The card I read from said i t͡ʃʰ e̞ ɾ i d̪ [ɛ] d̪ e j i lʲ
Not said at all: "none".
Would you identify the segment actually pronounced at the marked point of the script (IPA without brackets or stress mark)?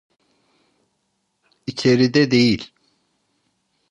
ɛ